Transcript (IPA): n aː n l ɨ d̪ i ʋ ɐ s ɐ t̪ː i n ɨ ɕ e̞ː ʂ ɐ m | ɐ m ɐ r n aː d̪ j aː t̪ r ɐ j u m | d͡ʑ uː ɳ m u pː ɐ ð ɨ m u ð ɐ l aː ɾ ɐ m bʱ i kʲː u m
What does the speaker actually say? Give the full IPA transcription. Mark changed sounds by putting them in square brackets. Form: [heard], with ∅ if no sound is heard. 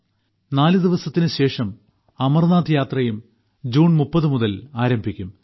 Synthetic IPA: n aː [∅] l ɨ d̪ i ʋ ɐ s ɐ t̪ː i n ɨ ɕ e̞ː ʂ ɐ m | ɐ m ɐ r n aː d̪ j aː t̪ r ɐ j u m | d͡ʑ uː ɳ m u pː ɐ ð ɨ m u ð ɐ l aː ɾ ɐ m bʱ i kʲː u m